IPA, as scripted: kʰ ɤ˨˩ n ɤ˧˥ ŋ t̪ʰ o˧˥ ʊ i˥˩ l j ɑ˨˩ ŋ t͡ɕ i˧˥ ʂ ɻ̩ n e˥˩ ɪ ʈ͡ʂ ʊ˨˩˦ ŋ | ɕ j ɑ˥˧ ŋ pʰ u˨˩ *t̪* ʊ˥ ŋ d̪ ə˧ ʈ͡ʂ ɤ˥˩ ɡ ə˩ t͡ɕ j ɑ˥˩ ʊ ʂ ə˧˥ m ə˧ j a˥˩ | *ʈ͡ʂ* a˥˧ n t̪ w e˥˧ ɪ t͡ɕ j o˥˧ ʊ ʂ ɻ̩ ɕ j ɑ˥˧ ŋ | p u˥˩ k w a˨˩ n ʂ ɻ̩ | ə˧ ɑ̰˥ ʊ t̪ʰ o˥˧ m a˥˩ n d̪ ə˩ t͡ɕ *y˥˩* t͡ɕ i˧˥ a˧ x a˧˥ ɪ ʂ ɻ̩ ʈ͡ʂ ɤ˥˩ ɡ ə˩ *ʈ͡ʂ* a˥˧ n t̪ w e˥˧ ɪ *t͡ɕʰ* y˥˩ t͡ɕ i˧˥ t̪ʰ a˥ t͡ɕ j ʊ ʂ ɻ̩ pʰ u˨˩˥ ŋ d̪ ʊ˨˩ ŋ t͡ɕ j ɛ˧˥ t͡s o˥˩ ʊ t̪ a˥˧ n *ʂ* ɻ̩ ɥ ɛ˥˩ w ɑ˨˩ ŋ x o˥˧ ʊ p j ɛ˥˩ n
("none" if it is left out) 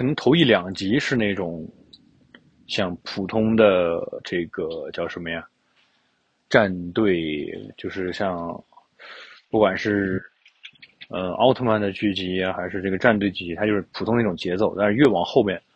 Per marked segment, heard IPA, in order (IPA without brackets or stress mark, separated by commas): t̪ʰ, ʈ͡ʂ, y˥˩, ʈ͡ʂ, t͡ɕ, ʂ